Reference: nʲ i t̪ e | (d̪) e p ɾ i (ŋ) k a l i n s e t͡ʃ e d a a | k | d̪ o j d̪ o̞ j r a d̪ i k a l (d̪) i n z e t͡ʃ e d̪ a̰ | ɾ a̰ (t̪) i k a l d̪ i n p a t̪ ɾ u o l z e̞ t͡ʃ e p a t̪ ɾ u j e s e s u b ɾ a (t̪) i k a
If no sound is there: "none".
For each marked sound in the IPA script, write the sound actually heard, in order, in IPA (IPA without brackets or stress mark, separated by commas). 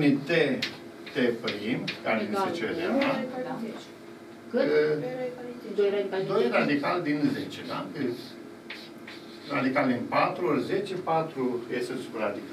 t̪, m, d̪, d̪, d̪